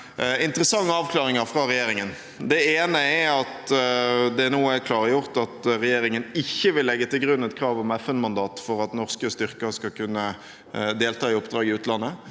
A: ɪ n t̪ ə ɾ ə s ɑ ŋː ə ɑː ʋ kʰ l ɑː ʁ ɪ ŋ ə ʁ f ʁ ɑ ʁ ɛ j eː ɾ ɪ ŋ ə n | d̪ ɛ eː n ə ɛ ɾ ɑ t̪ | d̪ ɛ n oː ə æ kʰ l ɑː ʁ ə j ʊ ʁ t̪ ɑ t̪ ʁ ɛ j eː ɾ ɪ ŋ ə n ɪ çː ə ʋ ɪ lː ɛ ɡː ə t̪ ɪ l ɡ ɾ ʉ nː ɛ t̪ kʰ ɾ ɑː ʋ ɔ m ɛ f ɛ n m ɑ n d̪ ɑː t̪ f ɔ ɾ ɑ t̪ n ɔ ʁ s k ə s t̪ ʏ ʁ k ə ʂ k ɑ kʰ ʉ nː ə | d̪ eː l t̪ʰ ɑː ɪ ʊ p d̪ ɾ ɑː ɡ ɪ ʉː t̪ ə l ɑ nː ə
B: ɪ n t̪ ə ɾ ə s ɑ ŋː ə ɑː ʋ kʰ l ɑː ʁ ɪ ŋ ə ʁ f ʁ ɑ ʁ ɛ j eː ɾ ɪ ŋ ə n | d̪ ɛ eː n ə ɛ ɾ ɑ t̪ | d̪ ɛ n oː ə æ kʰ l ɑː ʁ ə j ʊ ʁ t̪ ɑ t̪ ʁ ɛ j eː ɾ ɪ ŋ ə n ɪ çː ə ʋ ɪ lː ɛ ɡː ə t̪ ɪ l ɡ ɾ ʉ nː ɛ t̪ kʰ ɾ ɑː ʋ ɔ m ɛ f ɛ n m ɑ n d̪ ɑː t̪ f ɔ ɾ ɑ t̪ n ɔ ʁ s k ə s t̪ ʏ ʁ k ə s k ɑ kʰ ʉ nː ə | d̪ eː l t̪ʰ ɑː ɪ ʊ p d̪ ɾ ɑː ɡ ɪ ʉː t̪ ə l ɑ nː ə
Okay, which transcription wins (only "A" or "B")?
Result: B